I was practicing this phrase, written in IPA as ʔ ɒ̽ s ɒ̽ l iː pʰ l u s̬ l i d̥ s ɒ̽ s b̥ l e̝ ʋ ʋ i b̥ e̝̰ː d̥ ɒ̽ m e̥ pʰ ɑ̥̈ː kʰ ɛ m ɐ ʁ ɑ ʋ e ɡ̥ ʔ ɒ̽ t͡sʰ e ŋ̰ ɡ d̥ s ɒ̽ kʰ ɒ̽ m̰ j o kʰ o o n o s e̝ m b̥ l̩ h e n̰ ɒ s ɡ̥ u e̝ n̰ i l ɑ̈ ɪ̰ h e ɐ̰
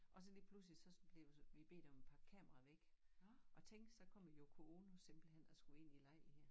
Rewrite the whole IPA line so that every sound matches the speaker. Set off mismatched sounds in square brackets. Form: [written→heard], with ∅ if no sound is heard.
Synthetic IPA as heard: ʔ ɒ̽ s ɒ̽ l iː pʰ l u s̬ l i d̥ s ɒ̽ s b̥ l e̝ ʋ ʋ i b̥ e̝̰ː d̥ ɒ̽ m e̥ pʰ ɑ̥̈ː kʰ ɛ m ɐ ʁ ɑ ʋ e ɡ̥ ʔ ɒ̽ t͡sʰ e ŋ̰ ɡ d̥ s ɒ̽ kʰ ɒ̽ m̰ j o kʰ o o n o s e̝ m b̥ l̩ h e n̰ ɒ s ɡ̥ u e̝ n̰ i l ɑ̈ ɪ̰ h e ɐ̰